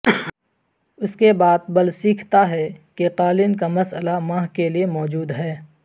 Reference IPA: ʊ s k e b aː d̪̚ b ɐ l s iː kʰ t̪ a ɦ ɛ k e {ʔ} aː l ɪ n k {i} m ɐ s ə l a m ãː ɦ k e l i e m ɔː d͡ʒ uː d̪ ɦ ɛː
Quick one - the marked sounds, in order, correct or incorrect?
incorrect: q, incorrect: a

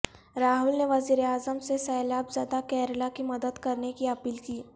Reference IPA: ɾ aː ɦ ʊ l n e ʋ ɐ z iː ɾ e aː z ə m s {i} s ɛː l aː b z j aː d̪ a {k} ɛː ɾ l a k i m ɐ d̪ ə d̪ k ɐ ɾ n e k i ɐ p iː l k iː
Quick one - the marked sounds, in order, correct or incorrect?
incorrect: e, correct

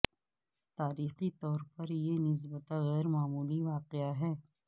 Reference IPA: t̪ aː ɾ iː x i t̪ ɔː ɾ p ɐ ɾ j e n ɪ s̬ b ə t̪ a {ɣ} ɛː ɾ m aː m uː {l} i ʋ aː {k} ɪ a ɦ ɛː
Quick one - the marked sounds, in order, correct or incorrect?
correct, correct, incorrect: q

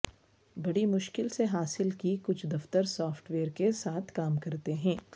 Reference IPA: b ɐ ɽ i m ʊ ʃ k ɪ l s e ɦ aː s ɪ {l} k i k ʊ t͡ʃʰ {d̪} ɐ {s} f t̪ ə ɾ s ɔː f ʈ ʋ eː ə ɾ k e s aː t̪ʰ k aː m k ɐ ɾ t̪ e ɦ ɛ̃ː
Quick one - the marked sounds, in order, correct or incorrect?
correct, correct, incorrect: none

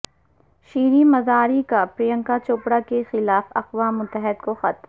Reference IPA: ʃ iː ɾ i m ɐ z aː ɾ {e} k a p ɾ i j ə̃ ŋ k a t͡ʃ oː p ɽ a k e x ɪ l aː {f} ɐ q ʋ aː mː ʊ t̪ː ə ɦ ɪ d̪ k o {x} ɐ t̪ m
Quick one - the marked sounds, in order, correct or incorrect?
incorrect: i, correct, correct

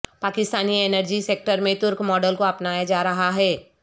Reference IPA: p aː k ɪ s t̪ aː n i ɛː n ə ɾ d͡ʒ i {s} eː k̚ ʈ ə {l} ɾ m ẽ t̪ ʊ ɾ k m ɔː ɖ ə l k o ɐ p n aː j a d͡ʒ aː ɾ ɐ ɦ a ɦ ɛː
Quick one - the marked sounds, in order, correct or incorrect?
correct, incorrect: none

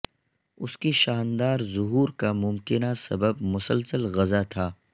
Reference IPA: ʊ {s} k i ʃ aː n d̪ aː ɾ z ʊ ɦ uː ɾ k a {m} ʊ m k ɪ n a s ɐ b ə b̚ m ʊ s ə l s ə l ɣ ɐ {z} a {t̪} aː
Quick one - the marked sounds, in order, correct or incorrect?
correct, correct, correct, incorrect: t̪ʰ

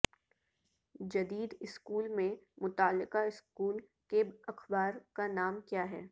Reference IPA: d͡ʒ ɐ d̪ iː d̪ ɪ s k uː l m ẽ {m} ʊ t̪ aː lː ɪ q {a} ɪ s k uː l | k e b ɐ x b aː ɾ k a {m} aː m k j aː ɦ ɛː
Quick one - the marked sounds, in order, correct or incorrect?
correct, correct, incorrect: n

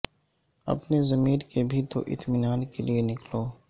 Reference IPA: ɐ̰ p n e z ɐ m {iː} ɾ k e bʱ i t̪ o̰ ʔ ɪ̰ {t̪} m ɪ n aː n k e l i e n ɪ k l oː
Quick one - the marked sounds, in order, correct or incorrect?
correct, correct

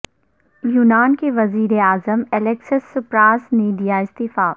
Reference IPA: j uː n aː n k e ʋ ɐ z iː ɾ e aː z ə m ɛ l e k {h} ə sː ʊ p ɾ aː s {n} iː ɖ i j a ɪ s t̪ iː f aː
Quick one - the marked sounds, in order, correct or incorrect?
incorrect: s, correct

